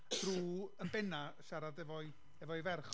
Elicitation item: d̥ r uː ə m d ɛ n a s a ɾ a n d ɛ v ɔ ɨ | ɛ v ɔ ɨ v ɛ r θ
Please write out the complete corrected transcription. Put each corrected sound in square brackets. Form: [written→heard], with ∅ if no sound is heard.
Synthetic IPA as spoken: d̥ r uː ə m [d→b] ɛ n a [s→ʃ] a ɾ a [n→∅] d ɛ v ɔ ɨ | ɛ v ɔ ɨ v ɛ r [θ→χ]